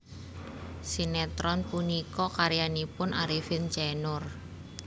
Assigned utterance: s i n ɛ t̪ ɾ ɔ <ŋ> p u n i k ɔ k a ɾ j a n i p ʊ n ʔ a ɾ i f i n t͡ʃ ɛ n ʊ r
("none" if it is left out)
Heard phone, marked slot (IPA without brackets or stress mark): n